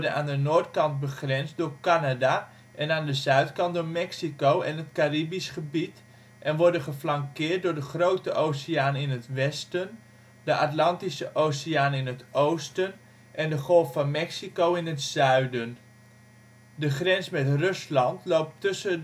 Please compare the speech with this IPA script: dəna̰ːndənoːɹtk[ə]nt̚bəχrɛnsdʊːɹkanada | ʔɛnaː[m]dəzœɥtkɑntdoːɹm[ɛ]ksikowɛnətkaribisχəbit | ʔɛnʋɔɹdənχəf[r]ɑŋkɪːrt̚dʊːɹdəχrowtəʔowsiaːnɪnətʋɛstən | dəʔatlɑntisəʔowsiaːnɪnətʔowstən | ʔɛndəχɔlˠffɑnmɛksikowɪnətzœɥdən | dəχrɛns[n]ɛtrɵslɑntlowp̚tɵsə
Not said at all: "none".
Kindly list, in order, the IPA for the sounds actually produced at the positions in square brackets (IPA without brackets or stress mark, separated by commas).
ɑ, n, ɛ, l, m